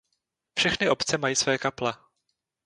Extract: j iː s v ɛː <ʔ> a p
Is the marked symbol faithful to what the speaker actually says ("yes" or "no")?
no